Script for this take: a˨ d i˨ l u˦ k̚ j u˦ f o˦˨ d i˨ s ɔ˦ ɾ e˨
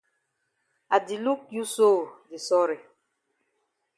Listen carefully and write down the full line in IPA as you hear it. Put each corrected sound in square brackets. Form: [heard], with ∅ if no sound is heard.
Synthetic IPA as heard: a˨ d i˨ l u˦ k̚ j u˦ [s] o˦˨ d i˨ s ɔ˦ ɾ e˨